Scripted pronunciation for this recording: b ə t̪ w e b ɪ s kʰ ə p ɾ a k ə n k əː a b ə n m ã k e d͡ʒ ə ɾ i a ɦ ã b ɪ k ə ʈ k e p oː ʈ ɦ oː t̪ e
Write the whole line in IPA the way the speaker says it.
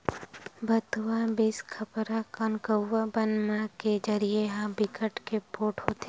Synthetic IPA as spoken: b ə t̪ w a b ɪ s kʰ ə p ɾ a k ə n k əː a b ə n m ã k e d͡ʒ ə ɾ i e ɦ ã b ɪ k ə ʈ k e p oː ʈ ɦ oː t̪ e